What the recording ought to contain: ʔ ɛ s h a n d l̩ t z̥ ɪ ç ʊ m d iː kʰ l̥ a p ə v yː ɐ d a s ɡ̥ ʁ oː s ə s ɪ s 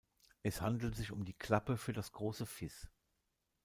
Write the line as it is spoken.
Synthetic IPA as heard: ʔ ɛ s h a n d l̩ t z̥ ɪ ç ʊ m d iː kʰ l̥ a p ə f yː ɐ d a s ɡ̥ ʁ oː s ə f ɪ s